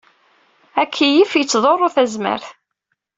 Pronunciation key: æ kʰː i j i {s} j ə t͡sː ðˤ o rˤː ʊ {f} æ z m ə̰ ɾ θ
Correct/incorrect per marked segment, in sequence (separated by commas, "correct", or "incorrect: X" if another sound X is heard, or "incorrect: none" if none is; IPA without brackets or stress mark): incorrect: f, incorrect: θ